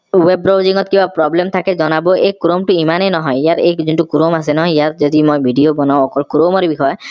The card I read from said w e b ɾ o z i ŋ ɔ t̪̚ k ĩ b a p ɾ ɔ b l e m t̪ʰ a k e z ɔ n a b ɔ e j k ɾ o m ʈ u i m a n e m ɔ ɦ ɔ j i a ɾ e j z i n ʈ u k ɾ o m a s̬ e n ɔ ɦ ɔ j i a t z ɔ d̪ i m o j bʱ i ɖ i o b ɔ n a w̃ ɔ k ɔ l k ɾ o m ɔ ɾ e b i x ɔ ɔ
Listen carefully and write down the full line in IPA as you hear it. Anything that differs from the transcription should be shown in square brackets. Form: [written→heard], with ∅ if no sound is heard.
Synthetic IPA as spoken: w e b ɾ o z i ŋ ɔ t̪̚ k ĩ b a p ɾ ɔ b l e m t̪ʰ a k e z ɔ n a b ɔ e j k ɾ o m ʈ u i m a n e [m→n] ɔ ɦ ɔ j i a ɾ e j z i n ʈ u k ɾ o m a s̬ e n ɔ ɦ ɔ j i a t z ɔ d̪ i m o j bʱ i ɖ i o b ɔ n a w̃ ɔ k ɔ l k ɾ o m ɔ ɾ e b i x ɔ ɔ